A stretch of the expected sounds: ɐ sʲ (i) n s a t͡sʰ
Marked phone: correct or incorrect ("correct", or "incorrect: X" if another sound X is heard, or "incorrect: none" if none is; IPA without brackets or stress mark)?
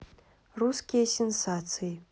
incorrect: e